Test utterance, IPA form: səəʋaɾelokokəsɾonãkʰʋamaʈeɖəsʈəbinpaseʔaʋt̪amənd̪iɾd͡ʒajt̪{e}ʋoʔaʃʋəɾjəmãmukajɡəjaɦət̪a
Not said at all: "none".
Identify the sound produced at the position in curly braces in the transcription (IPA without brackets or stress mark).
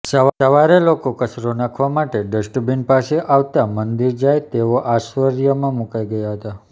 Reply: e